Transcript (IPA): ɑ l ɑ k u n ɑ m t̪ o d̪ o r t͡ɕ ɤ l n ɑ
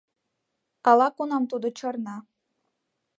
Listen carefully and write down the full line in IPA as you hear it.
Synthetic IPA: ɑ l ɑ k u n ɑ m t̪ u d̪ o t͡ɕ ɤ r n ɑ